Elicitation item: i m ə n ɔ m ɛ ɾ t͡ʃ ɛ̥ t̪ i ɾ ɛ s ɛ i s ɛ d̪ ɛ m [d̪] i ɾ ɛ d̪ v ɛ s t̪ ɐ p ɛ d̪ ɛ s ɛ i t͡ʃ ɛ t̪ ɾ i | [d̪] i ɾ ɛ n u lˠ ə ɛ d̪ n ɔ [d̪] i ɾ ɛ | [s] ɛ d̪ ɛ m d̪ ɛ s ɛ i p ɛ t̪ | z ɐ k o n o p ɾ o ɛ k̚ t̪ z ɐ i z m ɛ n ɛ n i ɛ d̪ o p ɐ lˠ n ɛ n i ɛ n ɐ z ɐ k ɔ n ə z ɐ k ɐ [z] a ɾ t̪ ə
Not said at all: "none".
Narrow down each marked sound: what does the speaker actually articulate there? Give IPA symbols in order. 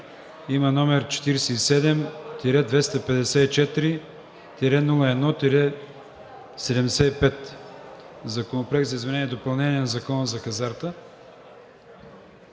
t̪, t̪, t̪, s, z

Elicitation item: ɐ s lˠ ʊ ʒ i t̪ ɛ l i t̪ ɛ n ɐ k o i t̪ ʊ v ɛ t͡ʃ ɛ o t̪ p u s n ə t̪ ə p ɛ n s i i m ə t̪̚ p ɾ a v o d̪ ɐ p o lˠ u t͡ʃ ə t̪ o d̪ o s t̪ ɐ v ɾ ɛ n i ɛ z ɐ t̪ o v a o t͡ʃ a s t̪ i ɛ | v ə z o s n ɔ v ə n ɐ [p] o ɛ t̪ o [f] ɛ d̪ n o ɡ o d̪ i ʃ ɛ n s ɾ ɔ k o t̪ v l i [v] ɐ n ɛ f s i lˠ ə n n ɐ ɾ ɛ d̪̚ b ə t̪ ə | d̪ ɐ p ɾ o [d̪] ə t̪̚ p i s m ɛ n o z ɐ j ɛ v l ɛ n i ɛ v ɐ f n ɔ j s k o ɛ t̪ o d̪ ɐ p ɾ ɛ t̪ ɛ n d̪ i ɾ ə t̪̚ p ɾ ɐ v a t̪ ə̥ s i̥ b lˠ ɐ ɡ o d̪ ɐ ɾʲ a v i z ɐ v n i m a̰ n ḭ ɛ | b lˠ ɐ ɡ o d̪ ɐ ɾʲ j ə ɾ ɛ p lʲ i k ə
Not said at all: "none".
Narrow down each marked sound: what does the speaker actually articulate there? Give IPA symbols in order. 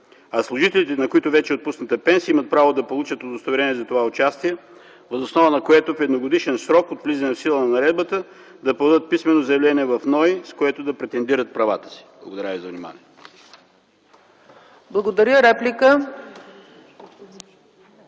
k, f, z, d̪

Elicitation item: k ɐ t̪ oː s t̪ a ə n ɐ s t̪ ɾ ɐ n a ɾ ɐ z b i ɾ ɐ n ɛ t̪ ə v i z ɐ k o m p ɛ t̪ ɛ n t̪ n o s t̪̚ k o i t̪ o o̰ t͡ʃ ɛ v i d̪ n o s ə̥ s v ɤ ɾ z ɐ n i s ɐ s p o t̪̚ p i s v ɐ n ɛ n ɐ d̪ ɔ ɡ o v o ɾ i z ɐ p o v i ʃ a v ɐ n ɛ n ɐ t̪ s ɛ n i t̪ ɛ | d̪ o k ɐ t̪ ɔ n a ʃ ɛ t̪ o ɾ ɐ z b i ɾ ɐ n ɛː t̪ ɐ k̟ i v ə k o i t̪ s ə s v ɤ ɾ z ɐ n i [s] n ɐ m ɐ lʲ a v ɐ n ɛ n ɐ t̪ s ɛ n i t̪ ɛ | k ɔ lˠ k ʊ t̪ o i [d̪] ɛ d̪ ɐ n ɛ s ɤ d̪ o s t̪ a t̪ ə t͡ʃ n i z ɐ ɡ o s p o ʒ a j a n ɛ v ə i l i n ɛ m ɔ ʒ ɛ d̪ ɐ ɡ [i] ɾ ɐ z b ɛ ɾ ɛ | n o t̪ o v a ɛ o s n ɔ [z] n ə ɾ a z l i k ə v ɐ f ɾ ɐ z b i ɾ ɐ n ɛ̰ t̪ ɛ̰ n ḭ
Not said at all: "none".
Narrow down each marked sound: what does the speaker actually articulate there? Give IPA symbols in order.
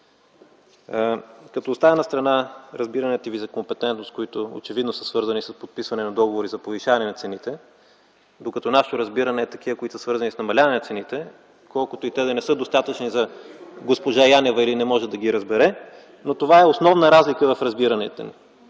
s, t̪, i, v

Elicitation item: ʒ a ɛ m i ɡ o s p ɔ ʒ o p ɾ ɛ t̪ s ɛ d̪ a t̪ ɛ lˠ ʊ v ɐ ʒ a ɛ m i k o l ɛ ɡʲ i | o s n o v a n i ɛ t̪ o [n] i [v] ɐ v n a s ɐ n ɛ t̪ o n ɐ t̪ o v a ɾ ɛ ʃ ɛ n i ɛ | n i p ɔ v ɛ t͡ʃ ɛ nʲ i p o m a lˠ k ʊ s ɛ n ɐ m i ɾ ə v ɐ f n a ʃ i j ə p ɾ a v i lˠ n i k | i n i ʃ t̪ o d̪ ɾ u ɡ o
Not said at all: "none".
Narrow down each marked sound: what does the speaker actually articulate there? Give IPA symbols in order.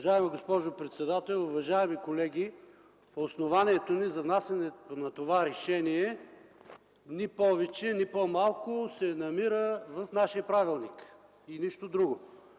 n, z

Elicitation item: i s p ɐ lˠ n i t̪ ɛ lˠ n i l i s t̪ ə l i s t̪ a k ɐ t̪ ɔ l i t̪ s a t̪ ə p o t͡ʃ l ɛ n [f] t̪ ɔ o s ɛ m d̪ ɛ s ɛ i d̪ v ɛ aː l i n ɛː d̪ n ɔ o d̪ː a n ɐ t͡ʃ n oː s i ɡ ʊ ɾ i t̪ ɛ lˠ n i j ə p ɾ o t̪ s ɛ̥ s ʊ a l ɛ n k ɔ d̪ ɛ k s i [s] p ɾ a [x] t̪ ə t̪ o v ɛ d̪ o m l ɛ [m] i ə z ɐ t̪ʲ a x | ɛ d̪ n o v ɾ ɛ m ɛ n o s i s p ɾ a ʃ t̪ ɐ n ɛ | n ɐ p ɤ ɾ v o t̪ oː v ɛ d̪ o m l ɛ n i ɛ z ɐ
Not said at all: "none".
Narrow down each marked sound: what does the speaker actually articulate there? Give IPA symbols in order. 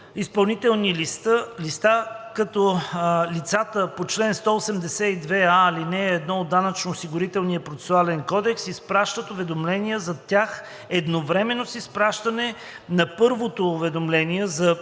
s, s, ʃ, n

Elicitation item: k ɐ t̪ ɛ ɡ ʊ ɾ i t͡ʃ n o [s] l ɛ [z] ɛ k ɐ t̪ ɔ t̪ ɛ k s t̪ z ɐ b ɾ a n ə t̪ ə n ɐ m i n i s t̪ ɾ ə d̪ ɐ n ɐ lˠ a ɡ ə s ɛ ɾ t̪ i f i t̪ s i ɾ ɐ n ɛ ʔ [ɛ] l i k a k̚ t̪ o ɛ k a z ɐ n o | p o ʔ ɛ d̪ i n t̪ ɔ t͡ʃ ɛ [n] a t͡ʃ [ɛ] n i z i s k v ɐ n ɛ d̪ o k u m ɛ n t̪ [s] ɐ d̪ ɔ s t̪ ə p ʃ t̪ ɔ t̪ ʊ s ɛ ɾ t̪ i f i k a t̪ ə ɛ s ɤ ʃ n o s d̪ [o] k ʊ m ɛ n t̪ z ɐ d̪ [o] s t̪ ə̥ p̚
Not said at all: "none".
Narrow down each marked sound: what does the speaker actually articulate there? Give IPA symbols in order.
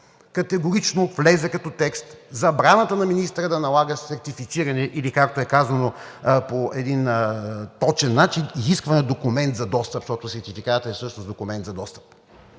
f, z, i, nː, i, z, o, ɔ

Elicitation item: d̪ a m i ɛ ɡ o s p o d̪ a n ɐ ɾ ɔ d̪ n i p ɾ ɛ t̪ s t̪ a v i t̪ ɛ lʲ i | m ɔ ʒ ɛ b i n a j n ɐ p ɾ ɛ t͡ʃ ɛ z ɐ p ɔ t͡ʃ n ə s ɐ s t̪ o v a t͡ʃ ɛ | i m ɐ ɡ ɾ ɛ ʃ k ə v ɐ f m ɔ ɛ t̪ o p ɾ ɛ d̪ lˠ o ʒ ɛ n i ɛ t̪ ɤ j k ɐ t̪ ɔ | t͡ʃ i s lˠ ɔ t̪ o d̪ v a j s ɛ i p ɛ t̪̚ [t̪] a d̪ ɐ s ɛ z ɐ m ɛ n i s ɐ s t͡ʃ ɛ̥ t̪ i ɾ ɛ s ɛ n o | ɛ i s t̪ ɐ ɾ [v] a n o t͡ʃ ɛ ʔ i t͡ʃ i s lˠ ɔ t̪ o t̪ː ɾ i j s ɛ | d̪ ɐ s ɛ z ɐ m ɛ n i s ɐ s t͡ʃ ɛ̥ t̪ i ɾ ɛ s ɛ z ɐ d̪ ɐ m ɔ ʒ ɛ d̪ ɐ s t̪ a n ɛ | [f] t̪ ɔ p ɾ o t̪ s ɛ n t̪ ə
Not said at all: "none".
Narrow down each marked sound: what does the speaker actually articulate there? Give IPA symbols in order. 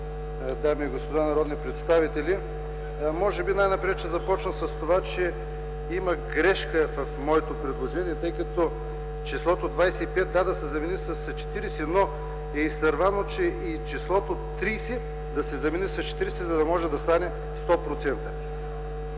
d̪, v, s

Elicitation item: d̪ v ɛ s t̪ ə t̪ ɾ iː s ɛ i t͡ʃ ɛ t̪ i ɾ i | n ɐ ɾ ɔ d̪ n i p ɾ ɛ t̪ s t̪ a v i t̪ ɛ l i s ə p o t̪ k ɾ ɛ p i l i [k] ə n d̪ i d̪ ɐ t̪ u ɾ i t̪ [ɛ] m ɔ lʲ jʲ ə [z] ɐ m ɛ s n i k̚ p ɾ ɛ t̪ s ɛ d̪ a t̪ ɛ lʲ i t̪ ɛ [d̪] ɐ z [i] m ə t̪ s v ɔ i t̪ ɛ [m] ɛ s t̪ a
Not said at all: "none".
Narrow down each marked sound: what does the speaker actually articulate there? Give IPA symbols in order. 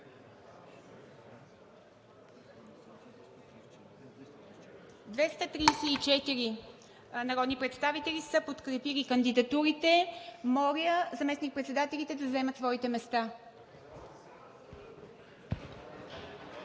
k, ɛ, z, d̪, ɛ, m

